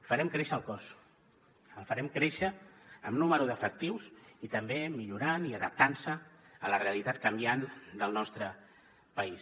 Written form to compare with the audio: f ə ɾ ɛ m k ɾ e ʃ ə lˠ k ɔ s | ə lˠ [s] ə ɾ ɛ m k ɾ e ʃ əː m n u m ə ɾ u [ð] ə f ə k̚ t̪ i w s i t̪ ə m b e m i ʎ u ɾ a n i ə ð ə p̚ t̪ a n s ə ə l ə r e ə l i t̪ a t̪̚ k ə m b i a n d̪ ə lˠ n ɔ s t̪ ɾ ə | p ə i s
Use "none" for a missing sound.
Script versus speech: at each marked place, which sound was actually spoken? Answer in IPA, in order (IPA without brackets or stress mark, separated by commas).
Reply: f, ð